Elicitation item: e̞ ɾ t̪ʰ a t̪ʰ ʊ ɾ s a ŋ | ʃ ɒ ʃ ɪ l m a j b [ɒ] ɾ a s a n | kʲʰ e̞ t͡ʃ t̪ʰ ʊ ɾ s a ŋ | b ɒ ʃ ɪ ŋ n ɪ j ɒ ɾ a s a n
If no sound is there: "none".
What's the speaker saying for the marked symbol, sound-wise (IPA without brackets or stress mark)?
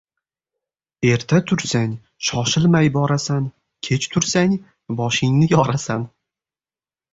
ɒ